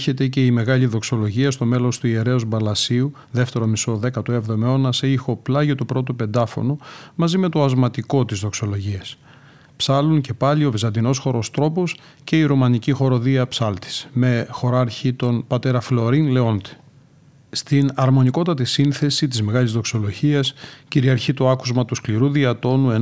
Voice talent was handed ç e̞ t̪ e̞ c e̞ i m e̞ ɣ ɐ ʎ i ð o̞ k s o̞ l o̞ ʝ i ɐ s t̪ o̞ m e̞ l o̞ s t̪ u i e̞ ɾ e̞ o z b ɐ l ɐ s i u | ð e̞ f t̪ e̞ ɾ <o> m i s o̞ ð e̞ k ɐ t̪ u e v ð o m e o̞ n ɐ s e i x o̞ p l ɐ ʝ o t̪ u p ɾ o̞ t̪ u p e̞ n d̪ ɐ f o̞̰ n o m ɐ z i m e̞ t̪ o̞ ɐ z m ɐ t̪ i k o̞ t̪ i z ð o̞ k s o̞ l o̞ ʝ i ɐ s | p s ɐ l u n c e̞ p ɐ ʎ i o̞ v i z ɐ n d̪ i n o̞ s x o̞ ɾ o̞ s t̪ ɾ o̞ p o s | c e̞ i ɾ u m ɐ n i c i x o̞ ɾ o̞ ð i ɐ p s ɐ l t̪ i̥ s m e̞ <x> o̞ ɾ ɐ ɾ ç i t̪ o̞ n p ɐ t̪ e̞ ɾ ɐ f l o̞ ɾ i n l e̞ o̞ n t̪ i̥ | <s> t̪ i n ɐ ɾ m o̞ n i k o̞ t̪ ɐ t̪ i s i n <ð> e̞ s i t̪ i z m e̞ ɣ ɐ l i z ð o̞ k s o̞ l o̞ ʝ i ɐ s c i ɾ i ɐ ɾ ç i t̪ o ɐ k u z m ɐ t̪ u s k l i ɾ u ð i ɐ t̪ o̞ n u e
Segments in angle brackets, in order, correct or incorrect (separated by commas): correct, correct, correct, incorrect